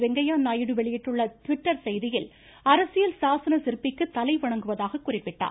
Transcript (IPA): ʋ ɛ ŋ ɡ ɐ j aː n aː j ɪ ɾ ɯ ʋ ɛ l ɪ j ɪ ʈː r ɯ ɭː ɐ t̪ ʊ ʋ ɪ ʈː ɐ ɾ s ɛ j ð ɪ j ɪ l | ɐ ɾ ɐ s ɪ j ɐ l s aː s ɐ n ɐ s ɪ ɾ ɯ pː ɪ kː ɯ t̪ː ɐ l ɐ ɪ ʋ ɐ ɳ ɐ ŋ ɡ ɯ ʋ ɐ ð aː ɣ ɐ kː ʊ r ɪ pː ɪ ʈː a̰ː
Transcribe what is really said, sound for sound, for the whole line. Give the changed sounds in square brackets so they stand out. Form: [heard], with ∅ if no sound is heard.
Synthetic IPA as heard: ʋ ɛ ŋ ɡ ɐ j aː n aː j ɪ [ɽ] ɯ ʋ ɛ [ɭ] ɪ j ɪ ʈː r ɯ ɭː ɐ t̪ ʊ ʋ ɪ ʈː ɐ ɾ s ɛ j ð ɪ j ɪ l | ɐ ɾ ɐ s ɪ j ɐ l s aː s ɐ n ɐ s ɪ ɾ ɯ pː ɪ kː ɯ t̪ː ɐ l ɐ ɪ ʋ ɐ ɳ ɐ ŋ ɡ ɯ ʋ ɐ ð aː ɣ ɐ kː ʊ r ɪ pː ɪ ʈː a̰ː